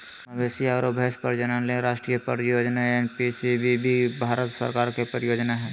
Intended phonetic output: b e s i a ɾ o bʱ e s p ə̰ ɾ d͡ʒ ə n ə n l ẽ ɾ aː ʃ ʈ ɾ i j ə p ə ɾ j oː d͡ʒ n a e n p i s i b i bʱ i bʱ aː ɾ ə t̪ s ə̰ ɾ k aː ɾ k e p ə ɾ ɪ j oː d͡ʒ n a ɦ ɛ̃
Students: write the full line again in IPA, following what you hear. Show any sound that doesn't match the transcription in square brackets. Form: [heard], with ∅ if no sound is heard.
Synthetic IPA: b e s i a ɾ o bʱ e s p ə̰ ɾ d͡ʒ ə n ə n l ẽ ɾ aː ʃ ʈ ɾ i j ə p ə ɾ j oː d͡ʒ n a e n p i s i b i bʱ i bʱ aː ɾ ə t̪ s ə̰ ɾ k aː ɾ k e p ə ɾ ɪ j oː d͡ʒ n a ɦ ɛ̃